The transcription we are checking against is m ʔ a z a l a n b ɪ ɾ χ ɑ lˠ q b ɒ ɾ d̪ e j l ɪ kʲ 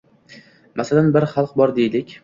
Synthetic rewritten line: m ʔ a s a l a n b ɪ ɾ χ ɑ lˠ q b ɒ ɾ d̪ e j l ɪ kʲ